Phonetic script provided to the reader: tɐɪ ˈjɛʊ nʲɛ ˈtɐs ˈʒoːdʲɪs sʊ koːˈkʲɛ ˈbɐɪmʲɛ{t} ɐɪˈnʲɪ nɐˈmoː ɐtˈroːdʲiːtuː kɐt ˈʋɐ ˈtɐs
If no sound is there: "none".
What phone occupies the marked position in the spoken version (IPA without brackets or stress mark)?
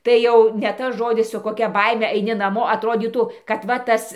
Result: none